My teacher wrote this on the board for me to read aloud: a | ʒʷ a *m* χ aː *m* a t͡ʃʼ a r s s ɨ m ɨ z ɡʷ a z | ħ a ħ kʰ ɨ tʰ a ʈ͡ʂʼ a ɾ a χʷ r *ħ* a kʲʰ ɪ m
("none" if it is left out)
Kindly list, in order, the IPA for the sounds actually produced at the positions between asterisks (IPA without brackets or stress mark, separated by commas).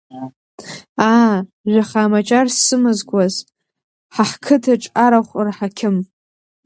none, m, ħ